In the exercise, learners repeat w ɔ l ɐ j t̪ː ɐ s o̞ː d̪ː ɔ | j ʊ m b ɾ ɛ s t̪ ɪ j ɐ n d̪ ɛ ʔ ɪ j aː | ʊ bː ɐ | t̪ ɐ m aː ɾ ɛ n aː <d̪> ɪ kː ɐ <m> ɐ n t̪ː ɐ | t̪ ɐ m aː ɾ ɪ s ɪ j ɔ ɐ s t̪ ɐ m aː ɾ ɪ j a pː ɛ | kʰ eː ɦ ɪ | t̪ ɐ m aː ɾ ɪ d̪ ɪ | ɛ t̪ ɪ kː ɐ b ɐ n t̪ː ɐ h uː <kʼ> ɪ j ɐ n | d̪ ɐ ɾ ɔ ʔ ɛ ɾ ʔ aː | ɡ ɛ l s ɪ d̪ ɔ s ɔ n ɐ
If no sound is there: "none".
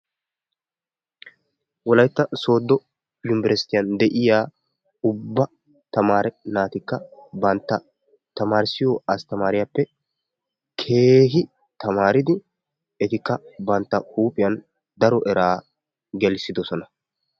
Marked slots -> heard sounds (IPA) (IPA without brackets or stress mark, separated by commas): t̪, b, pʼ